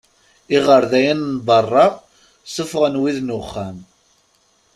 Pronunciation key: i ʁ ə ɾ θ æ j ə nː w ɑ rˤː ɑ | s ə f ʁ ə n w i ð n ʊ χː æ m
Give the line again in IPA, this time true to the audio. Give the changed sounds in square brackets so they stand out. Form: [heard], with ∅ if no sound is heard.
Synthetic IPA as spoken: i ʁ ə ɾ [ð] æ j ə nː [b] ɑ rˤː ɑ | s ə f ʁ ə n w i ð n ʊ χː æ m